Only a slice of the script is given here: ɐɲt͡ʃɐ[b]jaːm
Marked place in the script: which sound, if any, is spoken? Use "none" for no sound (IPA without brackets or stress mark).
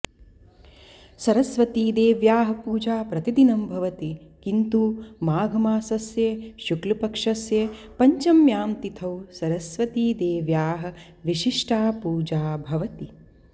m